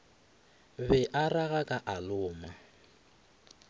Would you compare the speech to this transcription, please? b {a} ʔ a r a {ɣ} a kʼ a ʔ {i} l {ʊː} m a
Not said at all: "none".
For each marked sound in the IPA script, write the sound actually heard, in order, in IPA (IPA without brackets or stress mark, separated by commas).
ɛ, ɣ, a, ʊː